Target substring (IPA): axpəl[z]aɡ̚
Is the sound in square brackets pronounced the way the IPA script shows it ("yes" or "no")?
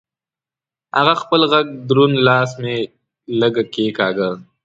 no